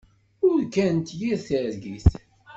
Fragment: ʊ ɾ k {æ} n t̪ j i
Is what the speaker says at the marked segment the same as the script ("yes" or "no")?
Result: yes